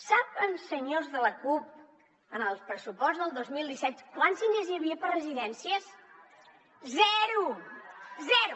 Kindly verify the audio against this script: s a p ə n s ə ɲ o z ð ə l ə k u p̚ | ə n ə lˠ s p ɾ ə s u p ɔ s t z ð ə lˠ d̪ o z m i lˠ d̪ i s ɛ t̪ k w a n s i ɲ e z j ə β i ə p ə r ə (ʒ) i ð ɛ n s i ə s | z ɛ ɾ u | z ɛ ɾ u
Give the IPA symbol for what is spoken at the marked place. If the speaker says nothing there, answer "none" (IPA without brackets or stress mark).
z